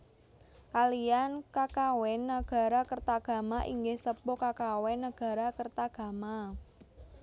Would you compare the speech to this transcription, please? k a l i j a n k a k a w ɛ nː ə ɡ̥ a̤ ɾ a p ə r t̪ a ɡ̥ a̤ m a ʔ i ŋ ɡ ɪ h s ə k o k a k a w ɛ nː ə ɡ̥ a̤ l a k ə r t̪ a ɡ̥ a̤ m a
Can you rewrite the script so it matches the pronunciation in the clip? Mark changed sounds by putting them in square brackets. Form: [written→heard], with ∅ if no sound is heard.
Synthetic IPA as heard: k a l i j a n k a k a w ɛ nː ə ɡ̥ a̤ ɾ a [p→k] ə r t̪ a ɡ̥ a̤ m a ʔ i ŋ ɡ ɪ h s ə [k→p] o k a k a w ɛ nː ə ɡ̥ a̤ [l→ɾ] a k ə r t̪ a ɡ̥ a̤ m a